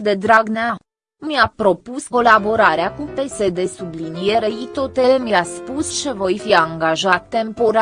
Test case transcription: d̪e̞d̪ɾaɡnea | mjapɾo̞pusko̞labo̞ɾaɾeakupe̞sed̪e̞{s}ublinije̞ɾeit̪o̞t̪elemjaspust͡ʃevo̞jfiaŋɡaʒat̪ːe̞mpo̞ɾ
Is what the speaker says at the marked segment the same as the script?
yes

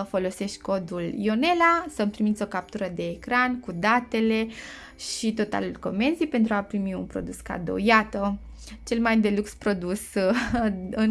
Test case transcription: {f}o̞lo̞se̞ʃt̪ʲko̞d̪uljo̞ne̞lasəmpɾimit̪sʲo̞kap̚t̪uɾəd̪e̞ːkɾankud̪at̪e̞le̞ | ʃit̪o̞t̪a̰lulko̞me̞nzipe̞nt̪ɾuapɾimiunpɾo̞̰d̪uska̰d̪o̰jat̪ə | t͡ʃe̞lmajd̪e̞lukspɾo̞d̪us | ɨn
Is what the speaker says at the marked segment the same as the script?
yes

